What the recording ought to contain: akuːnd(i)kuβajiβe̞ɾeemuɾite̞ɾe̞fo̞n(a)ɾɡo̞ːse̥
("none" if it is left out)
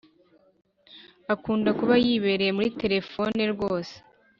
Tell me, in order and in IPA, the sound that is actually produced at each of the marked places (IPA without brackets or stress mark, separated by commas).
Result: a, e